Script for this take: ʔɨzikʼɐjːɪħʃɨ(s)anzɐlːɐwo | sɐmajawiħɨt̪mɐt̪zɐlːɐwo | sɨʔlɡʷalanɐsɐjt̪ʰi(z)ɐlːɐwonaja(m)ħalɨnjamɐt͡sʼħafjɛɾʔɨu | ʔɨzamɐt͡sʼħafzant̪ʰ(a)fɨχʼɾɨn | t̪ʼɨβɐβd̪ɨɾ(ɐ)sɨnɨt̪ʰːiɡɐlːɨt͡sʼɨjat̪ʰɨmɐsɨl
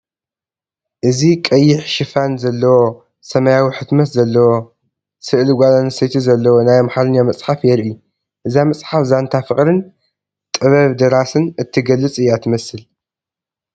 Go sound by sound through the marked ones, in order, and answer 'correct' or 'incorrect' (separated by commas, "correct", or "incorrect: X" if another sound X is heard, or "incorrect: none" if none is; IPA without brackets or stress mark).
incorrect: f, correct, correct, correct, incorrect: a